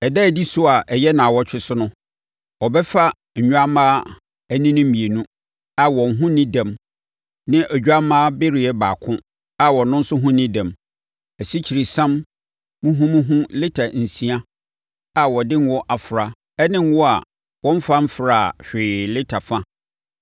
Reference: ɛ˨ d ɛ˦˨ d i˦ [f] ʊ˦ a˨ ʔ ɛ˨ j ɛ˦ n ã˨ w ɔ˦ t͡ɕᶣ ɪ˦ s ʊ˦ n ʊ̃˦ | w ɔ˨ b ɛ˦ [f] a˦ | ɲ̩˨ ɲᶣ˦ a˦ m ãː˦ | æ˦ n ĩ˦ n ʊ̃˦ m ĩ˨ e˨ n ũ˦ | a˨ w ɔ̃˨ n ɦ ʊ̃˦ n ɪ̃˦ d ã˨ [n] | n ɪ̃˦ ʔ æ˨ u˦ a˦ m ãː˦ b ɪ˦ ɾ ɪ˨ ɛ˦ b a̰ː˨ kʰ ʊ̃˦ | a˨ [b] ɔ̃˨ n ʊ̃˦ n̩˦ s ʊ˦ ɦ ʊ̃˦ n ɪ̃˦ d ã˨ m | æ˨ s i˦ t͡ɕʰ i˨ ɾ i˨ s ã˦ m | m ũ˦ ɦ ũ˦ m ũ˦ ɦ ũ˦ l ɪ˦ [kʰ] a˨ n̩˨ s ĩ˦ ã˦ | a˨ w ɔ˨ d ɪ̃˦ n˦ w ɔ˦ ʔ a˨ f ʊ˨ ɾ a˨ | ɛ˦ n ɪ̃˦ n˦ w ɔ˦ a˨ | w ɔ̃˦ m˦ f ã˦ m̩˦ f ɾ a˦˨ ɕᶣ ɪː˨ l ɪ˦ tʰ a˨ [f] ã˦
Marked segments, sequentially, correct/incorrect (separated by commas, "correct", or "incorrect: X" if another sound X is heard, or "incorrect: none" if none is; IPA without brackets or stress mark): incorrect: s, correct, incorrect: m, incorrect: w, incorrect: tʰ, correct